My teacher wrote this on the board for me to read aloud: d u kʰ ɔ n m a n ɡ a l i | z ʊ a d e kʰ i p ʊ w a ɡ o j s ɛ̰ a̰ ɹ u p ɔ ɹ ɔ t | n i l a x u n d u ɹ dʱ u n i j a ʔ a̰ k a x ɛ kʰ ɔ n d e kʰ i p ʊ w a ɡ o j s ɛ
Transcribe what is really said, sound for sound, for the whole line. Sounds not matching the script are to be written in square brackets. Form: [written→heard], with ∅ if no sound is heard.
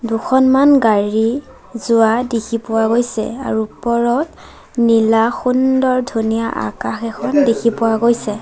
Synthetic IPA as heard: d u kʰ ɔ n m a n ɡ a [l→ɹ] i | z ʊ a d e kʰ i p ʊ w a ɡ o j s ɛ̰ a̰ ɹ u p ɔ ɹ ɔ t | n i l a x u n d [u→ɔ] ɹ dʱ u n i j a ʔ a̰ k a x ɛ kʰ ɔ n d e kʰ i p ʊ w a ɡ o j s ɛ